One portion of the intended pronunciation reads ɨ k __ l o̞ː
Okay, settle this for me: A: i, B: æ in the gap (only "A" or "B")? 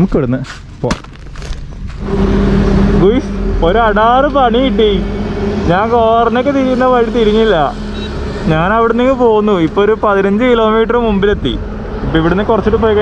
A